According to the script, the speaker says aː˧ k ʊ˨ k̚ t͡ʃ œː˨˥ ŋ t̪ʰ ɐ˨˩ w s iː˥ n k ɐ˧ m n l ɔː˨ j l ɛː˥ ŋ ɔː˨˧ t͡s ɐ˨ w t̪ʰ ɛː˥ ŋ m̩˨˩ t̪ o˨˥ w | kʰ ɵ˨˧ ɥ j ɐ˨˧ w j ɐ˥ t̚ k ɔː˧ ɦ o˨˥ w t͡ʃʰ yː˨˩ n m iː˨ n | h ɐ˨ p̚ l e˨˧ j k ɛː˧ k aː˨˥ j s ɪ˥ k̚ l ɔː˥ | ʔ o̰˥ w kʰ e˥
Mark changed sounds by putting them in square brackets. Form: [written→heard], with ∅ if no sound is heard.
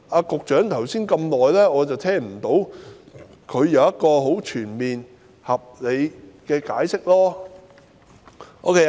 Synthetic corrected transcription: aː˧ k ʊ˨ k̚ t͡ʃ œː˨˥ ŋ t̪ʰ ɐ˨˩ w s iː˥ n k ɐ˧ m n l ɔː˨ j l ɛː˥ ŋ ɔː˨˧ t͡s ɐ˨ w t̪ʰ ɛː˥ ŋ m̩˨˩ t̪ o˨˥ w | kʰ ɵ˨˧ ɥ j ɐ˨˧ w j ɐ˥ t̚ k ɔː˧ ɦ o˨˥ w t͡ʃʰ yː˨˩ n m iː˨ n | h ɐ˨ p̚ l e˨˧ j k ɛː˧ k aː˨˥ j s ɪ˥ k̚ l ɔː˥ | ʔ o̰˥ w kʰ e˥